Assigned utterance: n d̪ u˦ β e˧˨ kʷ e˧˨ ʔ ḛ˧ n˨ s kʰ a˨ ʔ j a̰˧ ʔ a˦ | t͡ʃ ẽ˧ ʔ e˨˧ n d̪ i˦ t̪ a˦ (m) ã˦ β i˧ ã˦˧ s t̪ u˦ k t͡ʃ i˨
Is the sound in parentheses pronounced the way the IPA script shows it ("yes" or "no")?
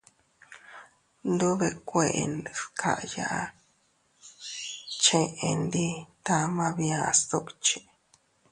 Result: yes